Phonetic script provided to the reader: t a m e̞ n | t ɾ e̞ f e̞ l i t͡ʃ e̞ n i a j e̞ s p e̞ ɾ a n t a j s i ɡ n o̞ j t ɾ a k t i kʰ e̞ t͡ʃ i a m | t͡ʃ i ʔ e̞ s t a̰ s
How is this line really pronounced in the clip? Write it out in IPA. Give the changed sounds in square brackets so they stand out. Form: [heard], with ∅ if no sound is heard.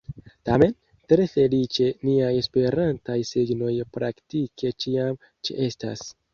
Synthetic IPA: t a m e̞ n | t ɾ e̞ f e̞ l i t͡ʃ e̞ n i a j e̞ s p e̞ ɾ a n t a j s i ɡ n o̞ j [p] ɾ a k t i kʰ e̞ t͡ʃ i a m | t͡ʃ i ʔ e̞ s t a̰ s